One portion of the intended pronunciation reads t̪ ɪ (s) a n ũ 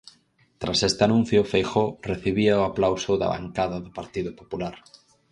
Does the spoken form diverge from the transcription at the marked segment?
yes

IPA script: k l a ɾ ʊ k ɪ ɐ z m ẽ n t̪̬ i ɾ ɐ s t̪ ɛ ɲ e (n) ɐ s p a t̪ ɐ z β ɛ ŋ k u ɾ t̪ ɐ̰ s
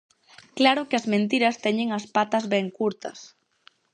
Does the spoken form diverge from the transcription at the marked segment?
yes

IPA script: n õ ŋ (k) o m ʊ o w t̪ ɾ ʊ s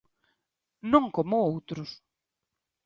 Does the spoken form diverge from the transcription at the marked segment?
no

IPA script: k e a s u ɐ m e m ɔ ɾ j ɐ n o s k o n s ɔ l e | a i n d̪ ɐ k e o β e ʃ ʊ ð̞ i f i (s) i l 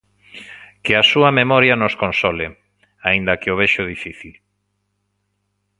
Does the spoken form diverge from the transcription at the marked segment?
yes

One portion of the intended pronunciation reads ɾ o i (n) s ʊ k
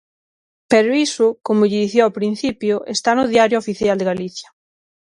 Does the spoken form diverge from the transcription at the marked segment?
yes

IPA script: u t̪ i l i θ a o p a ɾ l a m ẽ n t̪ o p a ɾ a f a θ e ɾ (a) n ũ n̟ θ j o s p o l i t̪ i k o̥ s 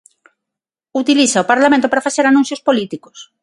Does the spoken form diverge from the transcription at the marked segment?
no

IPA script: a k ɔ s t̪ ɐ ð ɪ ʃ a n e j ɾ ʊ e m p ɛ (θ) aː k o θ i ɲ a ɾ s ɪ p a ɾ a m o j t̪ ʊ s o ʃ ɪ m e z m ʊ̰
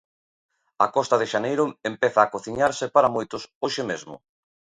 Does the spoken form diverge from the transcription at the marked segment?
no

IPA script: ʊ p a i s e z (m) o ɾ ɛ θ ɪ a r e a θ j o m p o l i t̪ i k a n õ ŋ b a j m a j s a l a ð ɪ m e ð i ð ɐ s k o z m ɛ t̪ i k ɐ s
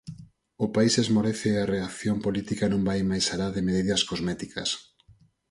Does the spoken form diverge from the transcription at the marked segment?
no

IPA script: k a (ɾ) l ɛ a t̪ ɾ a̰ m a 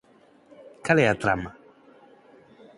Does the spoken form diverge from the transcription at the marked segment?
yes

